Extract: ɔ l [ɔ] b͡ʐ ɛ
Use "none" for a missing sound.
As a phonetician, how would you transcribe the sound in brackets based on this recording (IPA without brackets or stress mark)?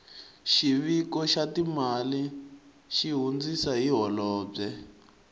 ɔː